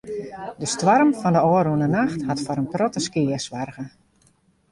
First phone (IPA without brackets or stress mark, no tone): d